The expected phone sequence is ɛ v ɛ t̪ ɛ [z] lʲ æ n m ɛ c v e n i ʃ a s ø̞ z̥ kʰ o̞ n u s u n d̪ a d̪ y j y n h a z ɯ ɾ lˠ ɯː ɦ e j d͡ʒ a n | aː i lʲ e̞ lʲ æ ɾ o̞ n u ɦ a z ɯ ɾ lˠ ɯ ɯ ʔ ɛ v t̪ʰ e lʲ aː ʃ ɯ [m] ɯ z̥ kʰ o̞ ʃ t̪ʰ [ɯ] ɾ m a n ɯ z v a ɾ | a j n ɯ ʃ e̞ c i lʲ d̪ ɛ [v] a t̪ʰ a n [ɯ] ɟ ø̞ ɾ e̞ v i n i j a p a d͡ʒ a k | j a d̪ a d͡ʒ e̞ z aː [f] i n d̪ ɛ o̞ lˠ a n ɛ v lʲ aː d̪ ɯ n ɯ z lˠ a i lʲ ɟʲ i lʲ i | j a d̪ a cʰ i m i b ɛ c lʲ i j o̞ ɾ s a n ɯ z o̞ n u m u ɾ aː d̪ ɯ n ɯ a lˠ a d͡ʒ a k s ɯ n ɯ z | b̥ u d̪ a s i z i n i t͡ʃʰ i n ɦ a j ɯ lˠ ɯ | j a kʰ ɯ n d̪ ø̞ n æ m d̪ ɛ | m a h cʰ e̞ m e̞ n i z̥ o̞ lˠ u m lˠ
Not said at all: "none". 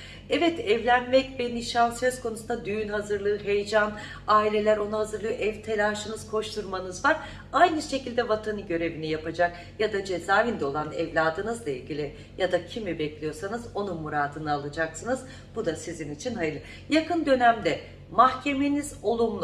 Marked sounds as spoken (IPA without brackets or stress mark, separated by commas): v, n, u, v, ɯ, v